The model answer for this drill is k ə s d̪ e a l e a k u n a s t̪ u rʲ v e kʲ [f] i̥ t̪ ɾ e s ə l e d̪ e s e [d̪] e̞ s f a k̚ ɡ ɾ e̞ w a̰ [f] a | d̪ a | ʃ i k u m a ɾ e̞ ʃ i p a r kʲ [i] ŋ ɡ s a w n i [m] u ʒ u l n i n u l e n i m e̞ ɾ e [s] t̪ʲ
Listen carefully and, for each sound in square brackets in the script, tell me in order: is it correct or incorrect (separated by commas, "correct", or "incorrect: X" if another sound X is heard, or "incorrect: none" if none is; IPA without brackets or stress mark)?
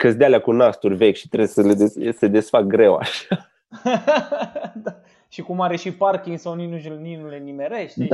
incorrect: ʃ, correct, incorrect: ʃ, correct, incorrect: n, incorrect: ʃ